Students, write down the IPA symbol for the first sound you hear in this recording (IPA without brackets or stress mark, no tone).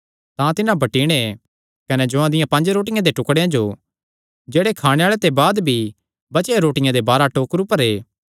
t̪